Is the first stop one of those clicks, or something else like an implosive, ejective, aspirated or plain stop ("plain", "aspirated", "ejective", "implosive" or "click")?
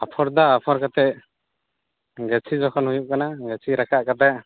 aspirated